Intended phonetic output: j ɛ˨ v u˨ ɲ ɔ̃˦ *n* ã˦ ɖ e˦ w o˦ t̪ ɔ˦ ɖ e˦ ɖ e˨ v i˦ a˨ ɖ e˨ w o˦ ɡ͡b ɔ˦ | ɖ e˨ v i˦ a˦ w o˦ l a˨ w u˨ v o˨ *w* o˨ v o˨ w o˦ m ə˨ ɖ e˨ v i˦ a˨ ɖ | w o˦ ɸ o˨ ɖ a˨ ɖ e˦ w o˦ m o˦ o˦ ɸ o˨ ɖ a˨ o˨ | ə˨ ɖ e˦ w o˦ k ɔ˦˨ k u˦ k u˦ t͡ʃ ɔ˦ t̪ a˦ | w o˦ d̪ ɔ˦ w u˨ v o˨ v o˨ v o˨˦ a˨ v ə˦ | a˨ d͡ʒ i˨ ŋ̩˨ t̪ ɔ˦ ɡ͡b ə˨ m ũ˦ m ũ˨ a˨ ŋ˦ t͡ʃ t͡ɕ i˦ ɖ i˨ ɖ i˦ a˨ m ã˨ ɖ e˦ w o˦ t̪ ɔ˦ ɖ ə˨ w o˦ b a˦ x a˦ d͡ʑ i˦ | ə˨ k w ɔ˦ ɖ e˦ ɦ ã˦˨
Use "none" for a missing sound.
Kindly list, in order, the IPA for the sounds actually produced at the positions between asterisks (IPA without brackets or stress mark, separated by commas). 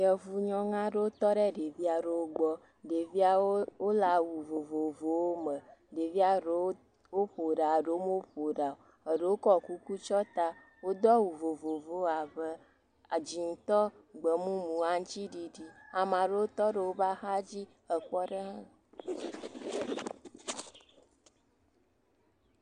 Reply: ŋ, v